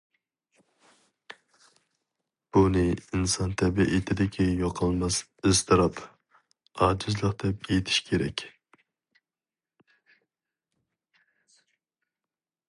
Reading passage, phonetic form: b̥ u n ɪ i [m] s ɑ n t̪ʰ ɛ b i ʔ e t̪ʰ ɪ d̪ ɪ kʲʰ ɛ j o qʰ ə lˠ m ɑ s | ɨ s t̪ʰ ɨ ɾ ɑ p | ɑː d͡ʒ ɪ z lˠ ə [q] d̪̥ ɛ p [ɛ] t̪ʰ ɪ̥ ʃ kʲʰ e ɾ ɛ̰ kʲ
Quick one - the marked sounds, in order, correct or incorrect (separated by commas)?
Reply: incorrect, correct, incorrect